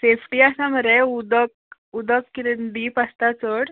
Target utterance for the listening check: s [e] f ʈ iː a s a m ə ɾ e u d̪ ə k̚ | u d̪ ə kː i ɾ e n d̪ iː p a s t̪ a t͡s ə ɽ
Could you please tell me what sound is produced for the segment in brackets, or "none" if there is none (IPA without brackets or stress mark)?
e